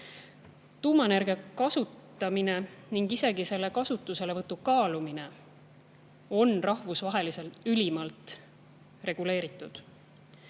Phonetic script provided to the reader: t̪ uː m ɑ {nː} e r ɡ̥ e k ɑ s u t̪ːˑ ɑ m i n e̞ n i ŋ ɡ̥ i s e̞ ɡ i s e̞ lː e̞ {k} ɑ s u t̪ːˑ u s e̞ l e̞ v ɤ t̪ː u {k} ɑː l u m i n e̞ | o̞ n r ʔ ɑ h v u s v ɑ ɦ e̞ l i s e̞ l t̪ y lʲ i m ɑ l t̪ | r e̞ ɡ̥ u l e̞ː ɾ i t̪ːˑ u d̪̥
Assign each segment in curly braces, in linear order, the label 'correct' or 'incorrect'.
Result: incorrect: n, correct, correct

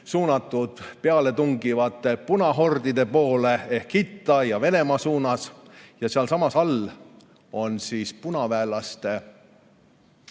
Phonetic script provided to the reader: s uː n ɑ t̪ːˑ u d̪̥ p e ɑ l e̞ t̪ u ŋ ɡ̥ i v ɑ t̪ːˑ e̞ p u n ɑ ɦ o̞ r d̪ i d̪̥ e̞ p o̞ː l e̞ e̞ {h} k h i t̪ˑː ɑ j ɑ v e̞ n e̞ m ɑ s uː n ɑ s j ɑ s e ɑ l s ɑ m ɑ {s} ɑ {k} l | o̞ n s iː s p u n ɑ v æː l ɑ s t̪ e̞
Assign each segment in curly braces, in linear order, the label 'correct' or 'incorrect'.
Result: correct, correct, incorrect: none

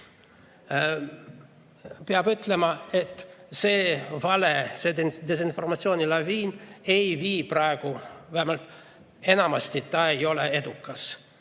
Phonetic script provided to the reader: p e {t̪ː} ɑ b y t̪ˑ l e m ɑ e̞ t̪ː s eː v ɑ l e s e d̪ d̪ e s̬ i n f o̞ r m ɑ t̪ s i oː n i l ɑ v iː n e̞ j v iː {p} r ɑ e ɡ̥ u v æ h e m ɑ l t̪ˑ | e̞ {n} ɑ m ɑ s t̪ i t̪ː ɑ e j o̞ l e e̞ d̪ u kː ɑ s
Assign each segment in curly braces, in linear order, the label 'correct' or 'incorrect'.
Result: incorrect: none, correct, correct

